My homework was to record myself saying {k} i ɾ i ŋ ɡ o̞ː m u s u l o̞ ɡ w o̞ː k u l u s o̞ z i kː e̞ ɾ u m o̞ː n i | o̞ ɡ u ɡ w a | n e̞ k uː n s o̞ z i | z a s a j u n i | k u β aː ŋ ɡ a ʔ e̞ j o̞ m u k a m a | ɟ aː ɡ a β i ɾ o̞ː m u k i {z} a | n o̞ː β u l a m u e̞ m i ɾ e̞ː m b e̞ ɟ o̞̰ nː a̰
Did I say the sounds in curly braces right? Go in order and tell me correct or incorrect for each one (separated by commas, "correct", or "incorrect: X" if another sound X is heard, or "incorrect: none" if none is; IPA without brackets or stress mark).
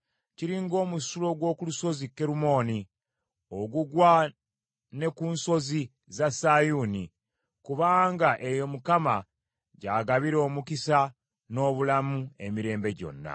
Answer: incorrect: c, incorrect: s